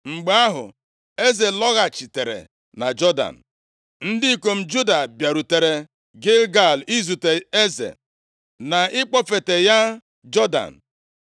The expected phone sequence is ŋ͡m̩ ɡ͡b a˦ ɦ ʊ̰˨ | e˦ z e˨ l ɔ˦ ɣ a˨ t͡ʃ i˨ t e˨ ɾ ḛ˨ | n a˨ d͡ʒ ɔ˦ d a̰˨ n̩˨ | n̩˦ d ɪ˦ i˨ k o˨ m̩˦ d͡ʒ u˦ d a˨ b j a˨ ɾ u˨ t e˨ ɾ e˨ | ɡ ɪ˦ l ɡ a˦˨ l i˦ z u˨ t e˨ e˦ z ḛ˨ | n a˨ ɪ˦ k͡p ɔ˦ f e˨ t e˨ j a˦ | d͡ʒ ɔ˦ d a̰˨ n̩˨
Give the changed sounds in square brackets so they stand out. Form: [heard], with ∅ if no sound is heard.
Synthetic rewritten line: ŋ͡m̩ ɡ͡b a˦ ɦ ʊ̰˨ | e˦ z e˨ l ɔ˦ ɣ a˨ t͡ʃ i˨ t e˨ ɾ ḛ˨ | n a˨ d͡ʒ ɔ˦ d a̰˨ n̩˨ | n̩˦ d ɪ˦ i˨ k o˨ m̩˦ d͡ʒ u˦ d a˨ b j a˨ ɾ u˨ t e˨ ɾ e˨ | ɡ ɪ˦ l ɡ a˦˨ l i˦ z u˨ t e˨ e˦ z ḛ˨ | n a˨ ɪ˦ k͡p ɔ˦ f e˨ t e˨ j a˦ | d͡ʒ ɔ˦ d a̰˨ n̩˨